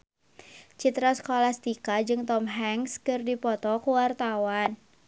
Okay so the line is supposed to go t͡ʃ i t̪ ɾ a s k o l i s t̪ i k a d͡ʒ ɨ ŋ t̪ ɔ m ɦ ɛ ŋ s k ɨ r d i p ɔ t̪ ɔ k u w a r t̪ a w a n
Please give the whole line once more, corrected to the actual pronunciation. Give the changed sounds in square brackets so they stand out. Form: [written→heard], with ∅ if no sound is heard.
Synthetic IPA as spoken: t͡ʃ i t̪ ɾ a s k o l [i→a] s t̪ i k a d͡ʒ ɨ ŋ t̪ ɔ m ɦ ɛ ŋ s k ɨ r d i p ɔ t̪ ɔ k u w a r t̪ a w a n